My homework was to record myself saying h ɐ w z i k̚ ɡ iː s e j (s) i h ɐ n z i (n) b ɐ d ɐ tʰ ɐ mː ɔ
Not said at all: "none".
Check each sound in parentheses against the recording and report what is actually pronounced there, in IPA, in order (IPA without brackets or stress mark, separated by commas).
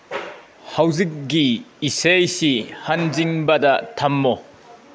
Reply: s, ŋ